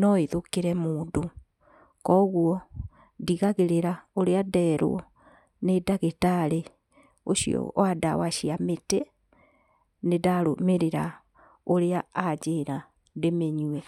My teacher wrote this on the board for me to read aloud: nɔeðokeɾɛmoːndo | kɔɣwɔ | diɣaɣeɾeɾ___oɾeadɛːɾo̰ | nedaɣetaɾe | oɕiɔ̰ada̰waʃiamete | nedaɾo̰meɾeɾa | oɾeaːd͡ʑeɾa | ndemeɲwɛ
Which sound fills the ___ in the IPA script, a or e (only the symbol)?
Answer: a